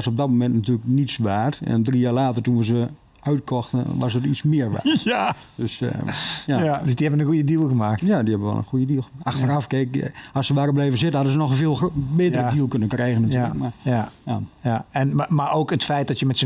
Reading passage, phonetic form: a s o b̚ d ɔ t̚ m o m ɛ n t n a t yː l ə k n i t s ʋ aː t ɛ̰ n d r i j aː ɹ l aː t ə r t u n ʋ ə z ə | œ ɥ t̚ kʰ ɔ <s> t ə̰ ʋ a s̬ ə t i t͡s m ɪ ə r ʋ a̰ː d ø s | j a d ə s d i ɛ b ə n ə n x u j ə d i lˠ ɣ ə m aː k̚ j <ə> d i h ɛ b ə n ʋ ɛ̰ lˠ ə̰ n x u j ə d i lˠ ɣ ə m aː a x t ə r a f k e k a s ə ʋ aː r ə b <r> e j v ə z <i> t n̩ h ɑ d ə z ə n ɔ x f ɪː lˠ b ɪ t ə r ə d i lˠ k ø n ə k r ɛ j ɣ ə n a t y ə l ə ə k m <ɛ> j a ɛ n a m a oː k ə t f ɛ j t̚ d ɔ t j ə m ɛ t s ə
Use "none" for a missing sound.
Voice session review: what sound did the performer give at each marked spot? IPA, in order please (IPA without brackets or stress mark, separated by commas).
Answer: x, a, l, ɪ, a